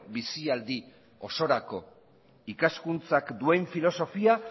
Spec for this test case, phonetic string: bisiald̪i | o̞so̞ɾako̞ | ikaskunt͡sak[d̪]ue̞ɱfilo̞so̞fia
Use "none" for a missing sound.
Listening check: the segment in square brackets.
d̪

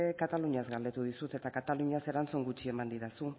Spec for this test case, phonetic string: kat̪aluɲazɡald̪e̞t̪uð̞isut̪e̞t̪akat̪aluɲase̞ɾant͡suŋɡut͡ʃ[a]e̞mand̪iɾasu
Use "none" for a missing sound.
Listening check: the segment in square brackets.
i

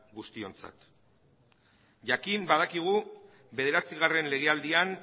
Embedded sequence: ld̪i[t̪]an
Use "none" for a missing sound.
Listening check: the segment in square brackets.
none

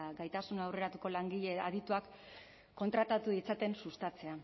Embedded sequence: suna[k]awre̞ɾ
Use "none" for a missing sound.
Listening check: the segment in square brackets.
none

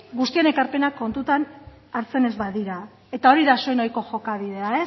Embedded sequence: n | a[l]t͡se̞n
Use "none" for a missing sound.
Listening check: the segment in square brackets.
ɾ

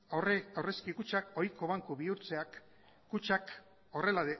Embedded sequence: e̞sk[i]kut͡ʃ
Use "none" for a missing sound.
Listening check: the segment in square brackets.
i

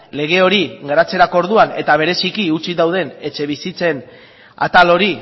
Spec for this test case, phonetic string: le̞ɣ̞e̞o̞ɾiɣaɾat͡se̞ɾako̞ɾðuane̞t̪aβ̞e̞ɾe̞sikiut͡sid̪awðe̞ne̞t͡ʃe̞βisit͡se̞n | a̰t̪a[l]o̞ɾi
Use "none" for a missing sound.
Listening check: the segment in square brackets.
l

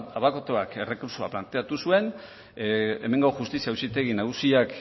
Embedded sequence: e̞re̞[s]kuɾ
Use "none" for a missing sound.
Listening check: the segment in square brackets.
none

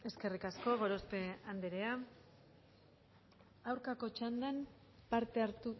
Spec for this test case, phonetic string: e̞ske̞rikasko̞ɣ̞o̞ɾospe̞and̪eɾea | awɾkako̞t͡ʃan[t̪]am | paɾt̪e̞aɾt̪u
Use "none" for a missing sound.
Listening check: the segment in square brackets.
d̪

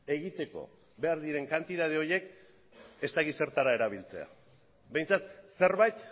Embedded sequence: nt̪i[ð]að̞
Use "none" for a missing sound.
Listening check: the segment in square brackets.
ð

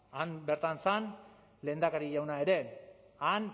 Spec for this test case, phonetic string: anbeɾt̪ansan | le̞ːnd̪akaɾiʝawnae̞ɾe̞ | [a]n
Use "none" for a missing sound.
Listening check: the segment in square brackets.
a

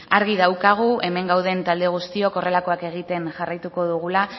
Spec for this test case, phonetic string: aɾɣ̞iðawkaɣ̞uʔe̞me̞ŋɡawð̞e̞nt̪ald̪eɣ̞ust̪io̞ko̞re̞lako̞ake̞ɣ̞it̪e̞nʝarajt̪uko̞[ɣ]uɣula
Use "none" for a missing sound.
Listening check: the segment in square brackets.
ð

